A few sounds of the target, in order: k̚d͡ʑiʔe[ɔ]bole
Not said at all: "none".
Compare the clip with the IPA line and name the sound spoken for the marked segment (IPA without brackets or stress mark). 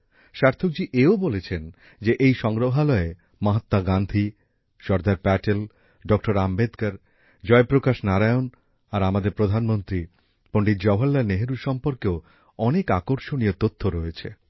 o